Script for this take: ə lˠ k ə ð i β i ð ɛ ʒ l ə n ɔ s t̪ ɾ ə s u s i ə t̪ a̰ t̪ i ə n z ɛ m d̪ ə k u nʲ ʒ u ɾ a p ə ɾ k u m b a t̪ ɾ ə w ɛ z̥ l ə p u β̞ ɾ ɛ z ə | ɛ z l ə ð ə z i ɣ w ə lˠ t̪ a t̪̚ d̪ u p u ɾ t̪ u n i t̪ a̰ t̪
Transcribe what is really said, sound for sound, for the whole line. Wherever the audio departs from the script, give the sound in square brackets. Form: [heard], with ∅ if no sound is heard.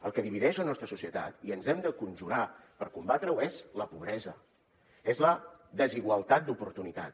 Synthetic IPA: ə lˠ k ə ð i β i ð ɛ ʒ l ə n ɔ s t̪ ɾ ə s u s i ə t̪ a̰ t̪ i ə n z ɛ m d̪ ə k u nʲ ʒ u ɾ a p ə ɾ k u m b a t̪ ɾ ə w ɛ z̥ l ə p u β̞ ɾ ɛ z ə | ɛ z l ə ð ə z i ɣ w ə lˠ t̪ a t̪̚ d̪ u p u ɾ t̪ u n i t̪ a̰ t̪